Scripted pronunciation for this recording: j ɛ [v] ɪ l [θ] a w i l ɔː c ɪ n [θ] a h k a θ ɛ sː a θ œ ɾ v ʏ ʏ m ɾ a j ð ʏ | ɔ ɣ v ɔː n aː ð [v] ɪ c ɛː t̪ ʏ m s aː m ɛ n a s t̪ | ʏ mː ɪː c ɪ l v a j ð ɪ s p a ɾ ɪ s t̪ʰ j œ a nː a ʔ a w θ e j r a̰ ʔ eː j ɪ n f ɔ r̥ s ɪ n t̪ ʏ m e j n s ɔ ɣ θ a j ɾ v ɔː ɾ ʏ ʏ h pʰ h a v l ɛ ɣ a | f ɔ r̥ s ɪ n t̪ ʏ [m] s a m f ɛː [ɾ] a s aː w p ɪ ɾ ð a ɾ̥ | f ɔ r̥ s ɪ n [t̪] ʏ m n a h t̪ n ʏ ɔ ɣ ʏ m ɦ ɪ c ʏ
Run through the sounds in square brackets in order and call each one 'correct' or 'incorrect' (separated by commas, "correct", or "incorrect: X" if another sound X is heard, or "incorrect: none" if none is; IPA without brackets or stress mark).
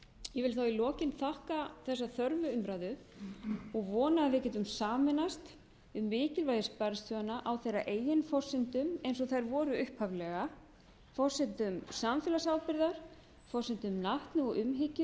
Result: correct, correct, correct, correct, correct, incorrect: l, correct